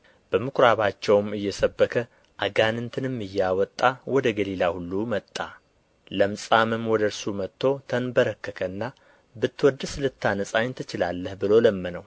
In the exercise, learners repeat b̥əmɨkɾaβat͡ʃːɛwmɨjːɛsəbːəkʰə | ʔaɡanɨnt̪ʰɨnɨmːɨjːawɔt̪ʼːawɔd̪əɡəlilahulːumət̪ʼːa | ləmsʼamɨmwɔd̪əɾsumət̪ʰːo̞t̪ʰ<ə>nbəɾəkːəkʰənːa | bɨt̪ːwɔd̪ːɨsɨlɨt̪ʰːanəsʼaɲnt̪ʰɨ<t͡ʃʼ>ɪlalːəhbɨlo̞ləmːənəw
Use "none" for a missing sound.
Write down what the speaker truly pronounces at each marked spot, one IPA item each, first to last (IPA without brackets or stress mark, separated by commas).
ə, t͡ʃ